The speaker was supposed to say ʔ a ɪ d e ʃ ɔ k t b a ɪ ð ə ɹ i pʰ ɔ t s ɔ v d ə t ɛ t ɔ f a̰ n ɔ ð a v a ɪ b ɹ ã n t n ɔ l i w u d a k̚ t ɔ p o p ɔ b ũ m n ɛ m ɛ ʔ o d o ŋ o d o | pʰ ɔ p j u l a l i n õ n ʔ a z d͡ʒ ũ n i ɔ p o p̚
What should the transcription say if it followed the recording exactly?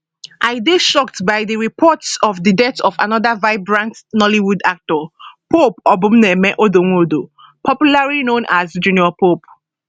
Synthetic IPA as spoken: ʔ a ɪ d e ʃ ɔ k t b a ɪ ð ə ɹ i pʰ ɔ t s ɔ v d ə d ɛ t ɔ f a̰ n ɔ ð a v a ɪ b ɹ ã n t n ɔ l i w u d a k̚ t ɔ p o p ɔ b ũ m n ɛ m ɛ ʔ o d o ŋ o d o | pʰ ɔ p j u l a ɹ i n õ n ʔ a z d͡ʒ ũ n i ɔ p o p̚